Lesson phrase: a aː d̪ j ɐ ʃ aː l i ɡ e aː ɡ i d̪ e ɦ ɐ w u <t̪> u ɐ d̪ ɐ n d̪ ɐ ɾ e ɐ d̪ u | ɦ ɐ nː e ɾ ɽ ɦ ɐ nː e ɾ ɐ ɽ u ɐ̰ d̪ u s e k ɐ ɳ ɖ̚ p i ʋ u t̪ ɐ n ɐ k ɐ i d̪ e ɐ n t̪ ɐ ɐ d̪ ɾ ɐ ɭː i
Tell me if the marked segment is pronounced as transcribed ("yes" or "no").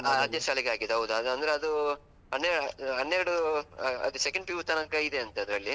no